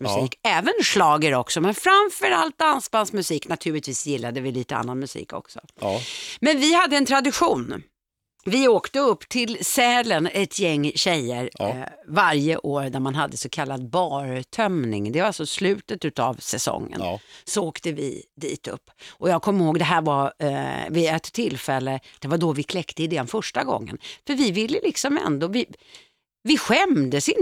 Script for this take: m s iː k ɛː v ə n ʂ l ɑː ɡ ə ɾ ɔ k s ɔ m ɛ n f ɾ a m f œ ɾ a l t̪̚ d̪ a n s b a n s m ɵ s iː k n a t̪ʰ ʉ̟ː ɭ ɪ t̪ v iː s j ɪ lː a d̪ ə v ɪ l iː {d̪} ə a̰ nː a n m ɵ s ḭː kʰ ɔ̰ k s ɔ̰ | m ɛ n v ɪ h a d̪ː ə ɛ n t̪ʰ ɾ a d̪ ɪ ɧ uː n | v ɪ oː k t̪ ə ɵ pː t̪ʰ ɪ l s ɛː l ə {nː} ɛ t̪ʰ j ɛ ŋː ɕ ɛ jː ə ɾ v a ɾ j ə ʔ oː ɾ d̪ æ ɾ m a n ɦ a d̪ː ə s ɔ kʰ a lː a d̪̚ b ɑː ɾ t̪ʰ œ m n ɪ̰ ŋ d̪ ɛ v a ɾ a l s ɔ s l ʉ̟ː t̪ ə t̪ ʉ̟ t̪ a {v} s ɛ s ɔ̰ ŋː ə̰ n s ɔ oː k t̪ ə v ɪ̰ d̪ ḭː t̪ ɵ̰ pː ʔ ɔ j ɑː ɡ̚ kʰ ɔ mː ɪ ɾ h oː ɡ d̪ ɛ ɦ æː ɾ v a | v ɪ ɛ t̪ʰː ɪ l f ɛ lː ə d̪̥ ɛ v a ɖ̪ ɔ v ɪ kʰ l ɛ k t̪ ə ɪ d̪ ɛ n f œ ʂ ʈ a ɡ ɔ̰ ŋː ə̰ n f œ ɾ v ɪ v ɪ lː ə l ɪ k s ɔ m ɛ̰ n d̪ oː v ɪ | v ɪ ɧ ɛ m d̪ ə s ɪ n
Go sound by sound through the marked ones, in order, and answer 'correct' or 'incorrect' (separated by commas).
incorrect, incorrect, correct